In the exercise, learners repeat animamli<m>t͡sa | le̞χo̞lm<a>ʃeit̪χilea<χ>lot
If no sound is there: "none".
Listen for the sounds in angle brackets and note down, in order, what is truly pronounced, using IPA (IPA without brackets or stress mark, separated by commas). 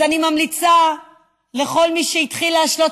none, i, ʃ